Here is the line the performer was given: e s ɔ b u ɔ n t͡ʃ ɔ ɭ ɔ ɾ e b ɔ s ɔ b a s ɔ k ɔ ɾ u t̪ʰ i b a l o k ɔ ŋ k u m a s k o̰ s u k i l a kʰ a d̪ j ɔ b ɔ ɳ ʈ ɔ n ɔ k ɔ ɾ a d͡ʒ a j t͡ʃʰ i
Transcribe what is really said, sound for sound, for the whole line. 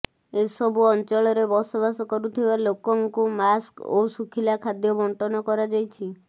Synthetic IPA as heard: e s ɔ b u ɔ n t͡ʃ ɔ ɭ ɔ ɾ e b ɔ s ɔ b a s ɔ k ɔ ɾ u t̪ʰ i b a l o k ɔ ŋ k u m a s k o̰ s u kʰ i l a kʰ a d̪ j ɔ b ɔ ɳ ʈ ɔ n ɔ k ɔ ɾ a d͡ʒ a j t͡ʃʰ i